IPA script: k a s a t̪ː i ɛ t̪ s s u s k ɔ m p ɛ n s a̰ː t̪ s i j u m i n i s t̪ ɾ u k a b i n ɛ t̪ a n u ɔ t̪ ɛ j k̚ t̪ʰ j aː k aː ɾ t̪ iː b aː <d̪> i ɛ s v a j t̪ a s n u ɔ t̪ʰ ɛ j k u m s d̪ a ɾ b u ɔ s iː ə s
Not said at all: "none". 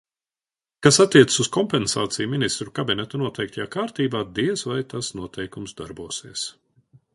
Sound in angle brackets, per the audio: d̪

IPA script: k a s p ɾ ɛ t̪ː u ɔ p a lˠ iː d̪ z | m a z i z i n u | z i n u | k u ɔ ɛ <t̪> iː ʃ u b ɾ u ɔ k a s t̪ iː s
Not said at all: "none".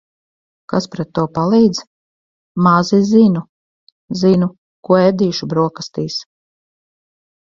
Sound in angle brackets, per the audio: d̪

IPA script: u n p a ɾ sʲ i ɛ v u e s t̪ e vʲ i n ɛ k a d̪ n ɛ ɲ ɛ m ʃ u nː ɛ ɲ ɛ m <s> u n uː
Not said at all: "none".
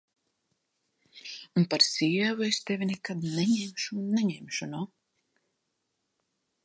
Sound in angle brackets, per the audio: ʃ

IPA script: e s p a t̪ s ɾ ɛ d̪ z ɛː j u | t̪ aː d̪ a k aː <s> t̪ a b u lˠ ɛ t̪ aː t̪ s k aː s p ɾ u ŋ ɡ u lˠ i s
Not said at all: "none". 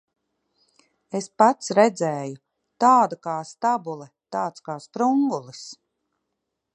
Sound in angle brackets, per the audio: s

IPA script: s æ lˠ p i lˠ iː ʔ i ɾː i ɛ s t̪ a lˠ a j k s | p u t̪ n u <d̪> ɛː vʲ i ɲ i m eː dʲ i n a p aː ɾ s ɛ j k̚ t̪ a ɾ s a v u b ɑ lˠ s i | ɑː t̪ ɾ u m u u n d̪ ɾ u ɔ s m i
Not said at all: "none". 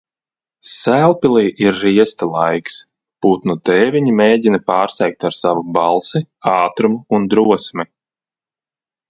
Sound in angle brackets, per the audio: t̪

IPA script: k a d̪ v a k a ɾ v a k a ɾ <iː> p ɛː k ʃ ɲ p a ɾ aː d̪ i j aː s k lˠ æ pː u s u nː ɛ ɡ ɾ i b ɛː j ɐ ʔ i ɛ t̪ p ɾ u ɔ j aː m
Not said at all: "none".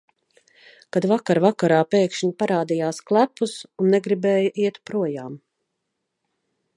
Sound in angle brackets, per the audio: aː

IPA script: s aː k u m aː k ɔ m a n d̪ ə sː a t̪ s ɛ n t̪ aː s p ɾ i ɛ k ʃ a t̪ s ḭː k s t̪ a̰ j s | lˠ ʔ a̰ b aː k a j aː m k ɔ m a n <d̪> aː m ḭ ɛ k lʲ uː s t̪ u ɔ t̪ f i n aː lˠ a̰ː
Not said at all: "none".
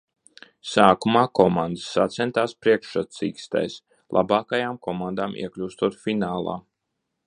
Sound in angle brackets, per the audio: d̪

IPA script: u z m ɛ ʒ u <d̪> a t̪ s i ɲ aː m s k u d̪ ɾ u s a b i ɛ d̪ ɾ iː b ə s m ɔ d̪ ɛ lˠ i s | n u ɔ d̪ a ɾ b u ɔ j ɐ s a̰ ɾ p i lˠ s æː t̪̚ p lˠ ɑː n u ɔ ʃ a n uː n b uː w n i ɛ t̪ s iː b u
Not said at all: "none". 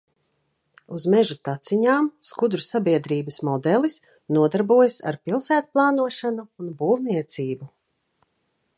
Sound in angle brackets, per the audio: t̪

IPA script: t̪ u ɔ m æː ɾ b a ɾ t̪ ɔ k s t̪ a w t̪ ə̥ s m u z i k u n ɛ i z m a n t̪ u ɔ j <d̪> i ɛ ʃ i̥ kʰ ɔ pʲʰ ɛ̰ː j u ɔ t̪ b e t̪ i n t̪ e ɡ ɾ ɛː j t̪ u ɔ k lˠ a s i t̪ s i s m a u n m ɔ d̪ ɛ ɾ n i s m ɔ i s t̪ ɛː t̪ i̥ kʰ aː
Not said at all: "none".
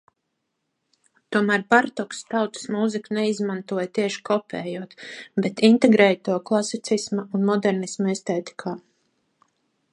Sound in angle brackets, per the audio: t̪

